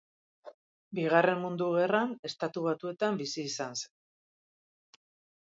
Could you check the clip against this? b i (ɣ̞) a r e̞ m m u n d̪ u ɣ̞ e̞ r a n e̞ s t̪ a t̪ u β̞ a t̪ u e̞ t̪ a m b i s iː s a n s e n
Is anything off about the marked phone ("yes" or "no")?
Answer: no